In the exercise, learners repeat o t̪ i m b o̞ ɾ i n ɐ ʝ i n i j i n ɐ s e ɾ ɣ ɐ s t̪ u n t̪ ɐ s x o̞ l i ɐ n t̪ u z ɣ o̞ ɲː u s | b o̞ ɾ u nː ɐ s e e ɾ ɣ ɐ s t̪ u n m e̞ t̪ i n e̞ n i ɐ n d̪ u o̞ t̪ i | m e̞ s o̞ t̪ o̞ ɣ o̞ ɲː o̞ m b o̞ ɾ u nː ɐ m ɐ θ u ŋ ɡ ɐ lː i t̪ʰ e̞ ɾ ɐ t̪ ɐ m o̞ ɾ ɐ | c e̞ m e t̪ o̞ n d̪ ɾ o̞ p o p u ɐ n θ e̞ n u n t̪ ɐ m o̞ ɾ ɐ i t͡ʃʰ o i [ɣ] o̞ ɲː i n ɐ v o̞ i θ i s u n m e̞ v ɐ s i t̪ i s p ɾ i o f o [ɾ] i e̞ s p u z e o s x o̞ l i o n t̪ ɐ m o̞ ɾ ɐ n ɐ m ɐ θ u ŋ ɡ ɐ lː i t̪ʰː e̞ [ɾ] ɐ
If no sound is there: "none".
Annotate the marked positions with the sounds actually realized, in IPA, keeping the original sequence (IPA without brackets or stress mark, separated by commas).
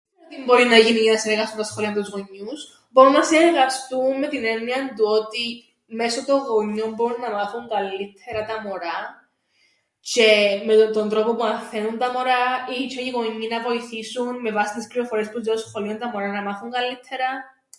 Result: ɣ, ɾ, ɾ